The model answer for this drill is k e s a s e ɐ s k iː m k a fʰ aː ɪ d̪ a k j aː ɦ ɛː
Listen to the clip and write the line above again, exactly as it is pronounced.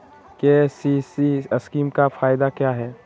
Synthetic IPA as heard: k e s i s i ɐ s k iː m k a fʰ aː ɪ d̪ a k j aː ɦ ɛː

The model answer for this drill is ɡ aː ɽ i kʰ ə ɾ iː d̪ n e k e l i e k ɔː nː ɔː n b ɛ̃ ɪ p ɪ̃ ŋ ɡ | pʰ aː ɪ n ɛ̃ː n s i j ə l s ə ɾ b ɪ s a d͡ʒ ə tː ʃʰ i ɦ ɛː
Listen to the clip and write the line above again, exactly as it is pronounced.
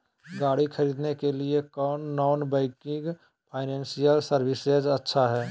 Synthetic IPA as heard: ɡ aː ɽ i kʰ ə ɾ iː d̪ n e k e l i e k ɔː nː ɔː n b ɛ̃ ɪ k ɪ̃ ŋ ɡ | pʰ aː ɪ n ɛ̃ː n s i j ə l s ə ɾ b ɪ s e d͡ʒ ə tː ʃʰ a ɦ ɛː

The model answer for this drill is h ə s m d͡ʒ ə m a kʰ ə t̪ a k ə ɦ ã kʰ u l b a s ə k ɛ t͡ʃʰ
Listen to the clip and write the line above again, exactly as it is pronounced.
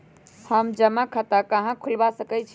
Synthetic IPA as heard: h ə m d͡ʒ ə m a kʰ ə t̪ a k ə ɦ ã kʰ u l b a s ə k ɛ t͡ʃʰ

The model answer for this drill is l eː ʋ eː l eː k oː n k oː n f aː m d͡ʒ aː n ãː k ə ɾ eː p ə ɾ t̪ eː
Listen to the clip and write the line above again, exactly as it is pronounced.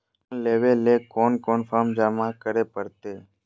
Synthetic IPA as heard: l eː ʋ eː l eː k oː n k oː n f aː m d͡ʒ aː m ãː k ə ɾ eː p ə ɾ t̪ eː

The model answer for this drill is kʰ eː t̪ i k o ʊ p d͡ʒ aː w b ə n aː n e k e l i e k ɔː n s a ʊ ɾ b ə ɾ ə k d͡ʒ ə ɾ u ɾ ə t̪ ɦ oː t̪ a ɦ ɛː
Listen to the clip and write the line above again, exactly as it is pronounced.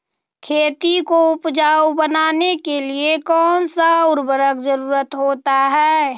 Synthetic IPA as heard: kʰ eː t̪ i k o ʊ p d͡ʒ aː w b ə n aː n e k e l i e k ɔː n s a ʊ ɾ b ə ɾ ə k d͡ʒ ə ɾ uː ɾ ə t̪ ɦ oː t̪ a ɦ ɛː

